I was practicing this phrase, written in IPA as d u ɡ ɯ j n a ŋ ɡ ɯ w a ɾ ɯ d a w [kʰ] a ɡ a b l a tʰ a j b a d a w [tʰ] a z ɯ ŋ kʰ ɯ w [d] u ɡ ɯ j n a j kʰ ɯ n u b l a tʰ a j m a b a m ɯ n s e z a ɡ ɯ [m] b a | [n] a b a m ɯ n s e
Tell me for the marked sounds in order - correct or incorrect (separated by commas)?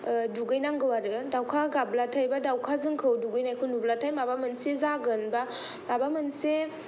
correct, incorrect, correct, incorrect, incorrect